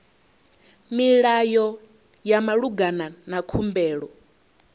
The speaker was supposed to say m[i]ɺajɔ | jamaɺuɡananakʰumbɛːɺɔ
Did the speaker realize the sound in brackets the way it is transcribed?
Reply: yes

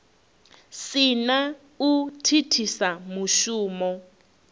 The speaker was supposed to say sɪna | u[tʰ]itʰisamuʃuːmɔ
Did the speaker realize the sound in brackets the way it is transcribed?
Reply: yes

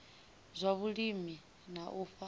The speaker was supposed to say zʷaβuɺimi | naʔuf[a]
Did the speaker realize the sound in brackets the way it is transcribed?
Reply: yes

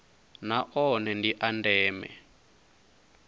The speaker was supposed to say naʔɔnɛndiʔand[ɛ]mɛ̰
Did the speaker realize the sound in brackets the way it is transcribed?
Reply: no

